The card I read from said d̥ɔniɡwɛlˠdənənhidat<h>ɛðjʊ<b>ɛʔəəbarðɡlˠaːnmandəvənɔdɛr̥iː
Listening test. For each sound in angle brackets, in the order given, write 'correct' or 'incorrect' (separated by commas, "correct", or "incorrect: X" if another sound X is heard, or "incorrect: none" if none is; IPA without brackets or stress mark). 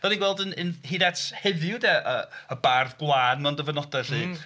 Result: correct, incorrect: d